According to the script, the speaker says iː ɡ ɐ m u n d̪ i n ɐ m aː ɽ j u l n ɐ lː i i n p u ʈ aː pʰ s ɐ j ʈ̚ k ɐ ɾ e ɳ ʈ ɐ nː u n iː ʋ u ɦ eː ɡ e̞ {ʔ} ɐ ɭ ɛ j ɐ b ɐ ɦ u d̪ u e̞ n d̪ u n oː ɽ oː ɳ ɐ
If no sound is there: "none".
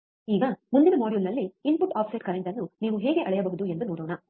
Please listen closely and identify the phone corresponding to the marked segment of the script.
ʔ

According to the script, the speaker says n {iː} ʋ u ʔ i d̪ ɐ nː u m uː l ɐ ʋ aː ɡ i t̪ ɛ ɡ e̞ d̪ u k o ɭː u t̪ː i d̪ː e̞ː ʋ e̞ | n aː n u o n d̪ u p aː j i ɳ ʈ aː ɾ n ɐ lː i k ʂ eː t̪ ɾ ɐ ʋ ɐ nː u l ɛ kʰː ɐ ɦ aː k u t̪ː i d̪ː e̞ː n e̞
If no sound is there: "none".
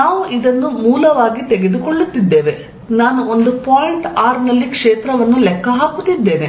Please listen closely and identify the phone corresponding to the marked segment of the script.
aː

